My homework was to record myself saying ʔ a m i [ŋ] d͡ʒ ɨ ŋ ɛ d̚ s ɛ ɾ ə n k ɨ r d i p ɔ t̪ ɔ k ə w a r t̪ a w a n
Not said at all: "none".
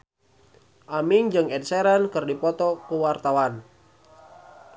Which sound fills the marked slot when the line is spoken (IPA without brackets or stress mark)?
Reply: ŋ